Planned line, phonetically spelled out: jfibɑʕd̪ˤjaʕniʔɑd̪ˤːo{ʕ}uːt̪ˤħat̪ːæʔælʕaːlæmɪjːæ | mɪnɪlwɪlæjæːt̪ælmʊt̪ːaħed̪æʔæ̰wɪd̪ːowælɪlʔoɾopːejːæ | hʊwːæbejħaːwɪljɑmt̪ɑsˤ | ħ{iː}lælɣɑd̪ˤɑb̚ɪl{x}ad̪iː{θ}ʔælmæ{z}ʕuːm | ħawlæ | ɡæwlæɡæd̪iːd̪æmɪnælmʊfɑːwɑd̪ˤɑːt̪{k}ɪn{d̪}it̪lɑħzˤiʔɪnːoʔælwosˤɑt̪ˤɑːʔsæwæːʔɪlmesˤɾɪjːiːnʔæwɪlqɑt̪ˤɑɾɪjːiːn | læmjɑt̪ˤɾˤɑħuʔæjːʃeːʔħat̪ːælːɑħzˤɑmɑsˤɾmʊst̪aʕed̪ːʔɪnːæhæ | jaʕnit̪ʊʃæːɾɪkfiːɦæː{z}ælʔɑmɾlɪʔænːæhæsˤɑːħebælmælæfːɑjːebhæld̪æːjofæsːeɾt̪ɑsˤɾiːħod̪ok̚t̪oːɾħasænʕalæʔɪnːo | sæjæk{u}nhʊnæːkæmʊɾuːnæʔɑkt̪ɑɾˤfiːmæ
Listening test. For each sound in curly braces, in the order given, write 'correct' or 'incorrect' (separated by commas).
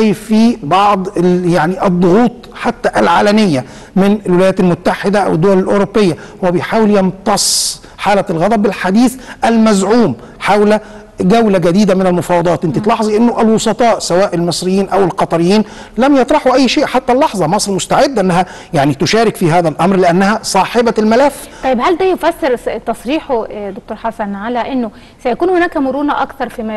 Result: incorrect, incorrect, incorrect, correct, correct, incorrect, incorrect, incorrect, incorrect